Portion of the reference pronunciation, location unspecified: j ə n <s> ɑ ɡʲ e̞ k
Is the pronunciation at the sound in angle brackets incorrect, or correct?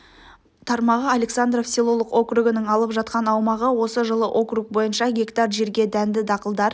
incorrect